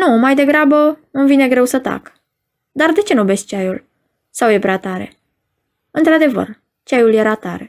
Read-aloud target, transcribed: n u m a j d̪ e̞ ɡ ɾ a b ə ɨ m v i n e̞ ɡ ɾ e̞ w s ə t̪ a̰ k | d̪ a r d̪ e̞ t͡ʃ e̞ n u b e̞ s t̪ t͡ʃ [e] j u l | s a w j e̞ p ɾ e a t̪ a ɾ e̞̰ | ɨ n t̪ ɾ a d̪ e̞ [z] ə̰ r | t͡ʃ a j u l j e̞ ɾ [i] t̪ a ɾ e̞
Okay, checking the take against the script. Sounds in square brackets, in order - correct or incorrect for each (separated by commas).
incorrect, incorrect, incorrect